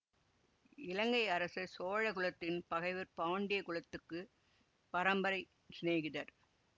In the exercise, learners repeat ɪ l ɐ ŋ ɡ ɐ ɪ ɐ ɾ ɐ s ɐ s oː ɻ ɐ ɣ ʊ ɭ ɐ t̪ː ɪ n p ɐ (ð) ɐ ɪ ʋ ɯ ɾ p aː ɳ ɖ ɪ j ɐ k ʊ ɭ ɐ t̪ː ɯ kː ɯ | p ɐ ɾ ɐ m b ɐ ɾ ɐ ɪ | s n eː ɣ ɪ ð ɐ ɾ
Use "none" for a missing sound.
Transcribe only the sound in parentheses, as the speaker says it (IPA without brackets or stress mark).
ɣ